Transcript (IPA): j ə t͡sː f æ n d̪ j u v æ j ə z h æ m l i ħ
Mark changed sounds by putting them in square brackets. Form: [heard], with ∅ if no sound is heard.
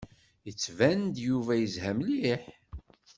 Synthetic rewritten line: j ə t͡sː [v] æ n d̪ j u v æ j ə z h æ m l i ħ